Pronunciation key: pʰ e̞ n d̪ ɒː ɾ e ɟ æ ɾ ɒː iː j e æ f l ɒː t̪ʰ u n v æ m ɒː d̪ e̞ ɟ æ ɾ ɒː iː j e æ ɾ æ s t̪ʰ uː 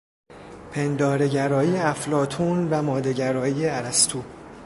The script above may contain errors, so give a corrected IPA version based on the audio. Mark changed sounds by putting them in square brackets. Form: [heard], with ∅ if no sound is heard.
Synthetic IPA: pʰ e̞ n d̪ ɒː ɾ e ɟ æ ɾ ɒː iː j e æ f l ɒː t̪ʰ u n v æ m ɒː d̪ e̞ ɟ æ ɾ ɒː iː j e æ ɾ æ s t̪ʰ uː

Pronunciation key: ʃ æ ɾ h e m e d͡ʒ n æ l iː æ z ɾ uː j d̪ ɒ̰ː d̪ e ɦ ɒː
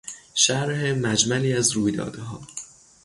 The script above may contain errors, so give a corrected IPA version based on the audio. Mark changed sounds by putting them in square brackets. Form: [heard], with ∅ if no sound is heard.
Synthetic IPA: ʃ æ ɾ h e m [æ] d͡ʒ [m] æ l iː æ z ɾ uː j d̪ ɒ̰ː d̪ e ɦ ɒː

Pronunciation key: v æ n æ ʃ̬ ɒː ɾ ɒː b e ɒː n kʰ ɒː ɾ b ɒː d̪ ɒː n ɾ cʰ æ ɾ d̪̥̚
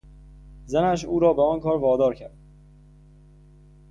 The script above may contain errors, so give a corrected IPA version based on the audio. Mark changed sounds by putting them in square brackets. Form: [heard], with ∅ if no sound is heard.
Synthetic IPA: [z] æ n æ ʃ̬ [uː] ɾ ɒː b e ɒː n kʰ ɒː ɾ [v] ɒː d̪ ɒː [∅] ɾ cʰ æ ɾ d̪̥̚

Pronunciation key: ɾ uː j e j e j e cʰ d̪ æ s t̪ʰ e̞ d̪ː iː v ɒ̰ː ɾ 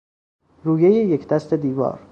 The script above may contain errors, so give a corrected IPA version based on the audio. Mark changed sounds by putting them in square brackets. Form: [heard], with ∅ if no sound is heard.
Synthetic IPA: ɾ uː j e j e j e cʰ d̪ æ s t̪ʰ e̞ [d̪] iː v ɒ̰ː ɾ

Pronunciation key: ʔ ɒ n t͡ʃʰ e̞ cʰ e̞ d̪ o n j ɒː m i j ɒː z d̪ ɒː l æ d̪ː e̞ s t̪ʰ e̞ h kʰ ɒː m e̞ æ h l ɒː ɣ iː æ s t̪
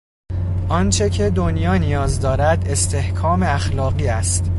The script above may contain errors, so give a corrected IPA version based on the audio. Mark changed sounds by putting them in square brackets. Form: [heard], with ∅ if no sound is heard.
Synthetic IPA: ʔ ɒ n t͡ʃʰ e̞ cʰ e̞ d̪ o n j ɒː [n] i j ɒː z d̪ ɒː [ɾ] æ [d̪] e̞ s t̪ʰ e̞ h kʰ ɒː m e̞ æ [x] l ɒː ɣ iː æ s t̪

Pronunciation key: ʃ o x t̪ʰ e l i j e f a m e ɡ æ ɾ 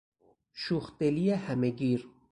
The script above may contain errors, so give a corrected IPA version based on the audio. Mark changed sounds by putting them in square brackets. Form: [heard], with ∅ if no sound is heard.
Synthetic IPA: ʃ [u] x [t̪] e l i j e [h] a m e ɡ [i] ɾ

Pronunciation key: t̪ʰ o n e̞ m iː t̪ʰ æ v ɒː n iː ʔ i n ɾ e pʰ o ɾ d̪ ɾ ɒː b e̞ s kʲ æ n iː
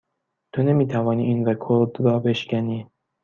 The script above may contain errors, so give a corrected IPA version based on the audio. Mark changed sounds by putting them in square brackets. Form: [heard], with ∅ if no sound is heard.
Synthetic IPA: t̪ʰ o n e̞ m iː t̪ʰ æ v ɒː n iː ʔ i n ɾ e [kʰ] o ɾ d̪ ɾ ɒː b e̞ [ʃ] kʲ æ n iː

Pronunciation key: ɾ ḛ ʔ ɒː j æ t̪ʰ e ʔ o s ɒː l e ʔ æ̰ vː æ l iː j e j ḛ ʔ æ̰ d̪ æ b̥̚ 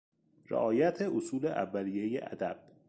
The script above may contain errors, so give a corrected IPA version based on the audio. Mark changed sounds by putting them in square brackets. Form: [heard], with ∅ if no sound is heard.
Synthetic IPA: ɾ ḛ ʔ ɒː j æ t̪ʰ e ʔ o s [uː] l e ʔ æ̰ vː æ l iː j e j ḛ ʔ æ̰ d̪ æ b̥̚

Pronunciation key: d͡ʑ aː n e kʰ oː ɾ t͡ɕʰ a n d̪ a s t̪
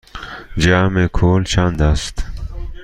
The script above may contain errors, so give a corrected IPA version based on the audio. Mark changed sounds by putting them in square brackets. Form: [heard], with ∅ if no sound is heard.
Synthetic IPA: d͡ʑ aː [m] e kʰ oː [l] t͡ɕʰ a n d̪ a s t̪

